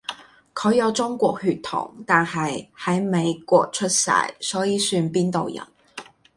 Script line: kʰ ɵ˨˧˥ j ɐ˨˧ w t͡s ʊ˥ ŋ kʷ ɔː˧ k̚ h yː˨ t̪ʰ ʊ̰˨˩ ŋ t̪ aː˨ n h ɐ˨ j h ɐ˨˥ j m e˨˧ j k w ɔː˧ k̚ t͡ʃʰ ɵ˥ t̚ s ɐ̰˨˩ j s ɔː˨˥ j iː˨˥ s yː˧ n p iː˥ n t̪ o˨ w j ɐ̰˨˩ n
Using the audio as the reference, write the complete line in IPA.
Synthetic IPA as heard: kʰ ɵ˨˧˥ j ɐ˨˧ w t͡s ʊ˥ ŋ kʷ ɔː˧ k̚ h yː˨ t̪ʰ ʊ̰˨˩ ŋ t̪ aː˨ n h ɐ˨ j h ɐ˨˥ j m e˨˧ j k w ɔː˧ k̚ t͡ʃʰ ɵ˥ t̚ s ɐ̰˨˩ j s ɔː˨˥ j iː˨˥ s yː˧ n p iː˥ n t̪ o˨ w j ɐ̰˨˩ n